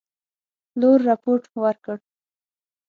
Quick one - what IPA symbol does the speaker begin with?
l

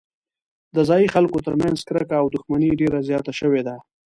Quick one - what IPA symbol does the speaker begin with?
d̪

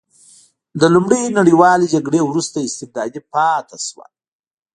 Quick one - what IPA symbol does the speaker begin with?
d̪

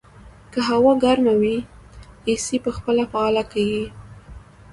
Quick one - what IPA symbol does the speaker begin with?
k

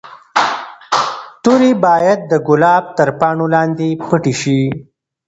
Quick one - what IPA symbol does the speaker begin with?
t̪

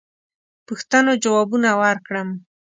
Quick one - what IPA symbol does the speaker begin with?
p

